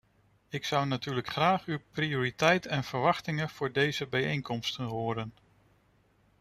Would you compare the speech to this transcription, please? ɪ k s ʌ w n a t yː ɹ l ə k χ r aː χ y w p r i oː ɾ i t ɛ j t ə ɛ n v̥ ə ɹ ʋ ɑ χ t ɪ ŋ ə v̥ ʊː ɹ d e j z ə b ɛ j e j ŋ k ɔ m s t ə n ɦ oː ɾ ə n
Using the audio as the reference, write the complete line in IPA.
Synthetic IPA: ɪ k s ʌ w n a t yː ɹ l ə k χ r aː χ y w p r i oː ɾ i t ɛ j t ə ɛ n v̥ ə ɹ ʋ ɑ χ t ɪ ŋ ə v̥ ʊː ɹ d e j z ə b ɛ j e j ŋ k ɔ m s t ə n ɦ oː ɾ ə n